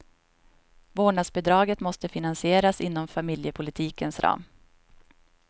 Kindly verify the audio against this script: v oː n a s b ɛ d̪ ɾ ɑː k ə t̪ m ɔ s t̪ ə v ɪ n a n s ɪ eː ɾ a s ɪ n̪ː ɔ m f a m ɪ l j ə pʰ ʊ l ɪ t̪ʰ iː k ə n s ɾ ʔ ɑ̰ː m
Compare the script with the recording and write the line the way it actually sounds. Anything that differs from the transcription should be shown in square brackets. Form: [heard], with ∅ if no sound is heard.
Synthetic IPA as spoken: v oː [ɳ] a s b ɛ d̪ ɾ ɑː [ɡ] ə t̪ m ɔ s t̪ ə [f] ɪ n a n s ɪ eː ɾ a s ɪ n̪ː ɔ m f a m ɪ l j ə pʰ ʊ l ɪ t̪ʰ iː k ə n s ɾ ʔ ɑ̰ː m